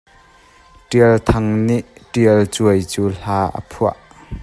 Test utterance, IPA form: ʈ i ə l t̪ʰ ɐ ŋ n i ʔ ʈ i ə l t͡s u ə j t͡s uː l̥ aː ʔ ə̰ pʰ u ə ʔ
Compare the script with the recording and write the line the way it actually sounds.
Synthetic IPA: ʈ i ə l t̪ʰ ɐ ŋ n i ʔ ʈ i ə l t͡s u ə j t͡s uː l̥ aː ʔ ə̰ pʰ u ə ʔ

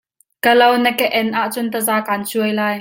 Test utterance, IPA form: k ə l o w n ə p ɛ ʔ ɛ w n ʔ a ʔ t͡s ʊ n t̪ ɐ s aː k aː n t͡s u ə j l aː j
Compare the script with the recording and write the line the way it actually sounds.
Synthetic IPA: k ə l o w n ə k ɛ ʔ ɛ n ʔ a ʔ t͡s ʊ n t̪ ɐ z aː k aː n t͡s u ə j l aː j

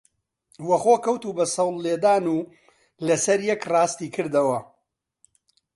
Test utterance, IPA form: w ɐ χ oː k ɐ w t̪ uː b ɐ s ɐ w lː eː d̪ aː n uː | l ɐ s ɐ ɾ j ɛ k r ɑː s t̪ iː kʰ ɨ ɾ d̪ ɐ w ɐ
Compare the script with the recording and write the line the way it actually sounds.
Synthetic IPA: w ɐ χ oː k ɐ w t̪ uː b ɐ s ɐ w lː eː d̪ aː n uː | l ɐ s ɐ ɾ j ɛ k r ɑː s t̪ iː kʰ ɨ ɾ d̪ ɐ w ɐ

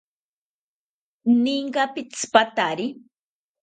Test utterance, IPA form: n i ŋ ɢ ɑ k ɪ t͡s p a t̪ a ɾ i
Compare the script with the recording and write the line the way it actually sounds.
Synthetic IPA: n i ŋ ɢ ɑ p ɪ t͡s p a t̪ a ɾ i

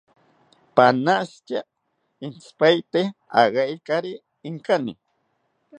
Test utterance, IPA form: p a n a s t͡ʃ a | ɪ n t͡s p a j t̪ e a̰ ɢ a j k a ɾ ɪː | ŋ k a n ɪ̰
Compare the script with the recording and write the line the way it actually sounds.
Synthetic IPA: p a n a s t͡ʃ a | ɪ n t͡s p a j t̪ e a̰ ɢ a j k a ɾ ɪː | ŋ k a n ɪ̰

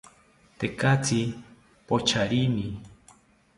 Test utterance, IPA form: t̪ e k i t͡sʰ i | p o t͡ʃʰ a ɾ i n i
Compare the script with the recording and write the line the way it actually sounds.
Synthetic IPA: t̪ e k a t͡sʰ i | p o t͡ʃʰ a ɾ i n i

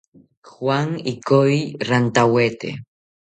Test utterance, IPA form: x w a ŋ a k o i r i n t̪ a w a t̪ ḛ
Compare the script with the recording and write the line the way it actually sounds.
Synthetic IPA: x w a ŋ i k o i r a n t̪ a w e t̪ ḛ

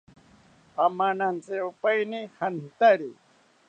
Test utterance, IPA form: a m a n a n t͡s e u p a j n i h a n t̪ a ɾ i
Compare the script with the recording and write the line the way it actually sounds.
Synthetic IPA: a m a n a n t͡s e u p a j n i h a n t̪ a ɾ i

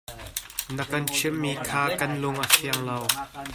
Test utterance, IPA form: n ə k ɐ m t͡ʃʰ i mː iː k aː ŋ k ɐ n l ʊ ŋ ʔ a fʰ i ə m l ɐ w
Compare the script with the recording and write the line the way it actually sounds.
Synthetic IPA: n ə k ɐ n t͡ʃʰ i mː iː kʰ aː k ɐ n l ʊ ŋ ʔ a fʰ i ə ŋ l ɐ w

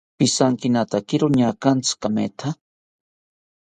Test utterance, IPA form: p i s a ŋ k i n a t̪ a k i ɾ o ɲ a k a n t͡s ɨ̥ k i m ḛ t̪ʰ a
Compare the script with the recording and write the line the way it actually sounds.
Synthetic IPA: p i s a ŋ k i n a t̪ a k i ɾ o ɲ a k a n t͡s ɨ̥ k a m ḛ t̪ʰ a

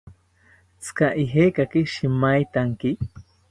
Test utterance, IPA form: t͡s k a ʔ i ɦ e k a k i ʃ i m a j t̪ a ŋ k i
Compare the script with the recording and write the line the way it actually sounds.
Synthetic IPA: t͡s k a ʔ i ɦ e k a k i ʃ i m a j t̪ a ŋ k i

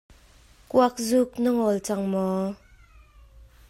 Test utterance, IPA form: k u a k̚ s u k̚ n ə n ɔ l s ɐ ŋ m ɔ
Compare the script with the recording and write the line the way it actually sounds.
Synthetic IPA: k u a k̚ z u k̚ n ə ŋ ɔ l t͡s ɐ ŋ m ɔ

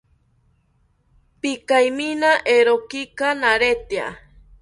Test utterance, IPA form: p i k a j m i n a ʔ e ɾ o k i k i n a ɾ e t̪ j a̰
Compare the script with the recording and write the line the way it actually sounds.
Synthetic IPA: p i k a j m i n a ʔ e ɾ o k i k a n a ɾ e t̪ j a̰

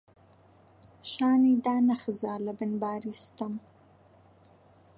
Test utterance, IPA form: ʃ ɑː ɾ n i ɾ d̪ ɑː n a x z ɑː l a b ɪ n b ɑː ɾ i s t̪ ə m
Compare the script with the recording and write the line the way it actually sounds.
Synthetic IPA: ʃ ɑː n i d̪ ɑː n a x z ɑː l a b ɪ n b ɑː ɾ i s t̪ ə m

